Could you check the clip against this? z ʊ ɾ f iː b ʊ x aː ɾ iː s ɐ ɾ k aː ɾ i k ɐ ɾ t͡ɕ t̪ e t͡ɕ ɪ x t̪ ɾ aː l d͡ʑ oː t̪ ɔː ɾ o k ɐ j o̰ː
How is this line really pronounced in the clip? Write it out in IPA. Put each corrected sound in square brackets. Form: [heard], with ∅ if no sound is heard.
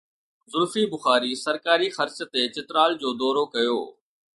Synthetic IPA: z ʊ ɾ f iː b ʊ x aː ɾ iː s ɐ ɾ k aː ɾ i [x] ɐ ɾ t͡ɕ t̪ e t͡ɕ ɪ [∅] t̪ ɾ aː l d͡ʑ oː [d̪] ɔː ɾ o k ɐ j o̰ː